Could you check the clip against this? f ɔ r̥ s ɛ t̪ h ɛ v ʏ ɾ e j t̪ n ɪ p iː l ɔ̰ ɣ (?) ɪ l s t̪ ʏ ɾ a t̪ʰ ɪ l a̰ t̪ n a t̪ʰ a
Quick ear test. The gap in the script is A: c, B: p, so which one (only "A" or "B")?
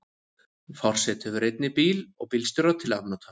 B